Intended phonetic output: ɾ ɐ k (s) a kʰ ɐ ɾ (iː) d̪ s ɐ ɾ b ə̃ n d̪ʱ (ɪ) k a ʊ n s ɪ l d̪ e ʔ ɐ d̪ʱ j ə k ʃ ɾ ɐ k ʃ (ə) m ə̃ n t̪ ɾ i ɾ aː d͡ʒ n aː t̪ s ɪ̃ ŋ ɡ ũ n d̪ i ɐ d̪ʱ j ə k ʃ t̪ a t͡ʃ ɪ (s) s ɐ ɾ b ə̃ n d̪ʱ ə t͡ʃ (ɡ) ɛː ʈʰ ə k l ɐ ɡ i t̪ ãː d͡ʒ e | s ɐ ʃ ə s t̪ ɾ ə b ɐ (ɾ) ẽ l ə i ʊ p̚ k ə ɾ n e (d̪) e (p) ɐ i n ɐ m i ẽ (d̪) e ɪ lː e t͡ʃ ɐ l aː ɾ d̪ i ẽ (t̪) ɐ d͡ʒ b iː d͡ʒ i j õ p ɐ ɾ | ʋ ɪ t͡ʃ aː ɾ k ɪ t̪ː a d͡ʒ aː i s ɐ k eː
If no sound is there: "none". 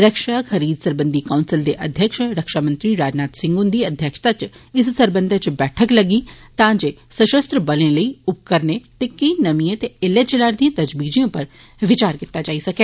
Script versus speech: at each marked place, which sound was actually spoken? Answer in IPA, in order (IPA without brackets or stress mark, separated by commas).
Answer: ʃ, iː, i, a, s, b, l, t̪, k, t̪, t̪